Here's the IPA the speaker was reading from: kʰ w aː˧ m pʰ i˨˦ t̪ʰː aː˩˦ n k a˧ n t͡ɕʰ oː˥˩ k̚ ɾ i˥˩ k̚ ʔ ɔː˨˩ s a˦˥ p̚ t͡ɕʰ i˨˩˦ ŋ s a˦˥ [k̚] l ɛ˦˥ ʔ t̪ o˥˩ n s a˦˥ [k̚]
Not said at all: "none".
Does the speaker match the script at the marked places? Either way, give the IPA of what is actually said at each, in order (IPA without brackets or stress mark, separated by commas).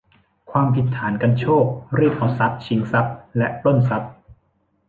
p̚, p̚